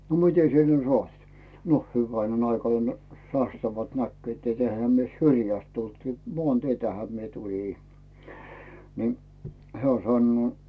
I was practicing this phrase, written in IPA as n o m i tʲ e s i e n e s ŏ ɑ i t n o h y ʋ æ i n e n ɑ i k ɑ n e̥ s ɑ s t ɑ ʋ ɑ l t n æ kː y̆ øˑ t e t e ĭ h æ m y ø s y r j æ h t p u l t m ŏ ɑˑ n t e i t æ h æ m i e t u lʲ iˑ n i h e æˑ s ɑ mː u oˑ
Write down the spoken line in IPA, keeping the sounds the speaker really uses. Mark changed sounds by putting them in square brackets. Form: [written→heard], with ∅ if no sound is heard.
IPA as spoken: n o m i tʲ e s i e n e s ŏ ɑ i t n o h y ʋ æ i n e n ɑ i k ɑ n e̥ s ɑ s t ɑ ʋ ɑ l t n æ kː y̆ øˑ t e t e ĭ h æ m y ø s y r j æ [h→s] t [p→t] u l t m ŏ ɑˑ n t e i t æ h æ m i e t u lʲ iˑ n i h e æˑ s ɑ [mː→nː] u oˑ